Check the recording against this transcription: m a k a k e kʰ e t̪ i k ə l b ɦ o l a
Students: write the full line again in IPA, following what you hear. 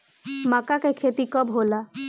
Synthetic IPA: m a k a k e kʰ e t̪ i k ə b ɦ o l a

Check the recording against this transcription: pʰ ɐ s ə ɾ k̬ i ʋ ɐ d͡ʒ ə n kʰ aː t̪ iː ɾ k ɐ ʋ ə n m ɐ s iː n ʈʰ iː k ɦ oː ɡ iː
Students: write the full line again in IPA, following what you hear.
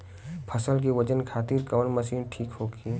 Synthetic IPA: pʰ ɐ s ə l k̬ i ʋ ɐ d͡ʒ ə n kʰ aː t̪ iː ɾ k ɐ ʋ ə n m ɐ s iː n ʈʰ iː k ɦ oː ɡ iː

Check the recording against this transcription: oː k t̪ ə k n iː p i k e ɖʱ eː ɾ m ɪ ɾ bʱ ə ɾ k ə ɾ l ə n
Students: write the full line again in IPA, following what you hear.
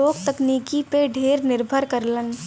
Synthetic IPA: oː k t̪ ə k n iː k i p e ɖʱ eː ɾ n ɪ ɾ bʱ ə ɾ k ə ɾ l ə n

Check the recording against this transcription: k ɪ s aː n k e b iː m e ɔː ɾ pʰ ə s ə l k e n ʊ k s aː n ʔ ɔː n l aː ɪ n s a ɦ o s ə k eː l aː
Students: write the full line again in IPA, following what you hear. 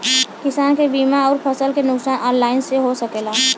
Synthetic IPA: k ɪ s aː n k e b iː m a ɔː ɾ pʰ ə s ə l k e n ʊ k s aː n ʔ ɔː n l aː ɪ n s e ɦ o s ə k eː l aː

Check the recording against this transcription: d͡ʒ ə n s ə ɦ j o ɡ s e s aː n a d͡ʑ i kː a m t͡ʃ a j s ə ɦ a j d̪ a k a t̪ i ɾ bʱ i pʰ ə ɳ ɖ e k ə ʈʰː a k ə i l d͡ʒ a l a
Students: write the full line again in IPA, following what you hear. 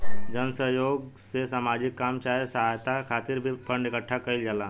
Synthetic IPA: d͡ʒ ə n s ə ɦ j o ɡ s e s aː m a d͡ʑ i kː a m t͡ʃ a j s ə ɦ a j t̪ a kʰ a t̪ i ɾ bʱ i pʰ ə ɳ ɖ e k ə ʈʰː a k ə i l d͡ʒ a l a

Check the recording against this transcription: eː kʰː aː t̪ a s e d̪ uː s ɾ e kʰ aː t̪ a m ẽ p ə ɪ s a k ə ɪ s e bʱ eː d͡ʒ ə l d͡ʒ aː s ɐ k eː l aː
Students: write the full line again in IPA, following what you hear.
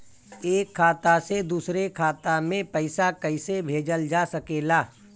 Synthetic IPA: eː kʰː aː t̪ a s e d̪ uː s ɾ e kʰ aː t̪ a m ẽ p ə ɪ s a k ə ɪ s e bʱ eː d͡ʒ ə l d͡ʒ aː s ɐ k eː l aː

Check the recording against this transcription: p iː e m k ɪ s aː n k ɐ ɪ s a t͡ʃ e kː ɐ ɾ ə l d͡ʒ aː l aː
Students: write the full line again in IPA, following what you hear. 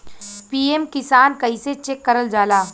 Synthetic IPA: p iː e m k ɪ s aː n k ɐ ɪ s e t͡ʃ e kː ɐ ɾ ə l d͡ʒ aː l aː

